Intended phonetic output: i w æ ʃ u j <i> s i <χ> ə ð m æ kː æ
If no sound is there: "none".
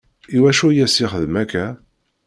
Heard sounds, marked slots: æ, χ

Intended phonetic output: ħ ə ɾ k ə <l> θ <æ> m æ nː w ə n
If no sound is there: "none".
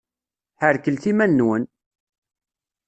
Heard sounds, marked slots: l, i

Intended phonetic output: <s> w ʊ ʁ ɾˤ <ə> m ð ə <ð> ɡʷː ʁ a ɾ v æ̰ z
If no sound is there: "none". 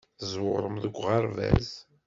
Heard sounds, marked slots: z, ə, none

